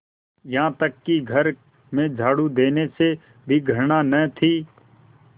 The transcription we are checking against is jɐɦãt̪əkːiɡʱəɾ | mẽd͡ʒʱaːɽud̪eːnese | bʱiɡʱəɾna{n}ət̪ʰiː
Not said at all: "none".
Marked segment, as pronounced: n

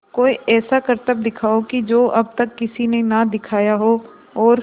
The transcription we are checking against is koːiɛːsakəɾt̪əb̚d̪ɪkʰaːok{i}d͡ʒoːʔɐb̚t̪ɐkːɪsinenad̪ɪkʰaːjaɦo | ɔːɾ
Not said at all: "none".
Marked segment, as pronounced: i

